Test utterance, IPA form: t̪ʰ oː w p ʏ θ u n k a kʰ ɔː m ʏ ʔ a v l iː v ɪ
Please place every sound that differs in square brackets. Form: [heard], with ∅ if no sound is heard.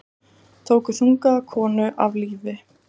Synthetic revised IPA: t̪ʰ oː w [k] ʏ θ u [ŋ] k a kʰ ɔː [n] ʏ ʔ a v l iː v ɪ